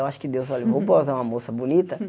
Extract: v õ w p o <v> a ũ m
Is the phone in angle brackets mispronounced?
yes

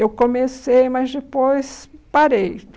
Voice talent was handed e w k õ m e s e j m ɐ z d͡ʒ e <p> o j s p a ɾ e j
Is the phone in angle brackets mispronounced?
no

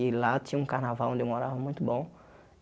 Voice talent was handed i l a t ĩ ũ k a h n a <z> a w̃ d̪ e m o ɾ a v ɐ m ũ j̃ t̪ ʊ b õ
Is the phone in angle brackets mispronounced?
yes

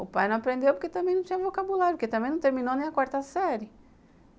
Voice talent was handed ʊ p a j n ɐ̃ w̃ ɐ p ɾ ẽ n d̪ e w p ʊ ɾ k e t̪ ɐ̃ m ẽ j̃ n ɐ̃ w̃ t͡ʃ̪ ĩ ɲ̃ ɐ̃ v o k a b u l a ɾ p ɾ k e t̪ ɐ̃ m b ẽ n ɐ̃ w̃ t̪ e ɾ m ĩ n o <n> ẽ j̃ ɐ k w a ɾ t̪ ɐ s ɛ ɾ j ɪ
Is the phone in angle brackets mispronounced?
no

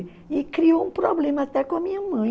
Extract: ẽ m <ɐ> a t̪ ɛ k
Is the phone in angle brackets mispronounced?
no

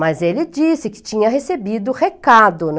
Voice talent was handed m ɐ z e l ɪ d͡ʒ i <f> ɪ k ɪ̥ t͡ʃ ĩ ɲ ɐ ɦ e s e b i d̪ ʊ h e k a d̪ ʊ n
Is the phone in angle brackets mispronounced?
yes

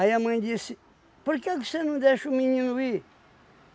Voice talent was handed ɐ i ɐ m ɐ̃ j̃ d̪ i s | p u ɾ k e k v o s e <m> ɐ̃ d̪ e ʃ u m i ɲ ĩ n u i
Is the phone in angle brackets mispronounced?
yes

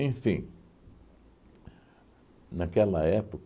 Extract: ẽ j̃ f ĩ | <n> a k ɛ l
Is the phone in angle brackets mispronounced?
no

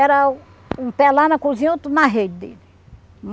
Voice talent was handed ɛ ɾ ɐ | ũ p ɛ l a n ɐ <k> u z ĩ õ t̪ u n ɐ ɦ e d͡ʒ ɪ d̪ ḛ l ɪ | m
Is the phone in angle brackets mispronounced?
no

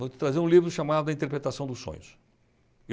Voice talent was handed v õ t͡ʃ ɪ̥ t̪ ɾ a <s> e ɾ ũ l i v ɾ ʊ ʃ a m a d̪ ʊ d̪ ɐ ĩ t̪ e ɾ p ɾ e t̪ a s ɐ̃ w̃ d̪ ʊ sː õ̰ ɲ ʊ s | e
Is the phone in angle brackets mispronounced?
yes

